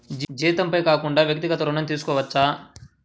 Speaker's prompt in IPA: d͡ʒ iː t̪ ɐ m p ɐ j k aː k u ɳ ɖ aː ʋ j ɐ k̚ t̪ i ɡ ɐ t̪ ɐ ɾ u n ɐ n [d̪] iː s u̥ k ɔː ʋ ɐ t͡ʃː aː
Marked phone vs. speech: incorrect: t̪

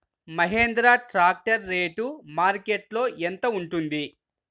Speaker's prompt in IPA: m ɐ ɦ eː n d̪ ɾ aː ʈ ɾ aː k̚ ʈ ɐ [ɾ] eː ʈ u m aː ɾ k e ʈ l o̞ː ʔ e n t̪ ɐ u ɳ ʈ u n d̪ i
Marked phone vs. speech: incorrect: ɾː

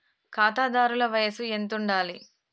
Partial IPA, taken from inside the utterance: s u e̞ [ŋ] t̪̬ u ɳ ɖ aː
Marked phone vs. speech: incorrect: n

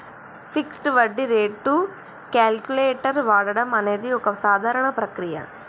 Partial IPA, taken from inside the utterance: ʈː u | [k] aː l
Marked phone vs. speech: correct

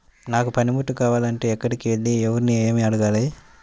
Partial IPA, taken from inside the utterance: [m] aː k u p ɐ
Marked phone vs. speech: incorrect: n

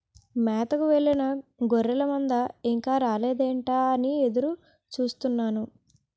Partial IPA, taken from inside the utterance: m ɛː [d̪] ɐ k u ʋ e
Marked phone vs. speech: incorrect: t̪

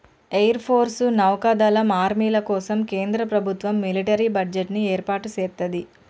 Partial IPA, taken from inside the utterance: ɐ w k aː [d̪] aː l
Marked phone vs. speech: correct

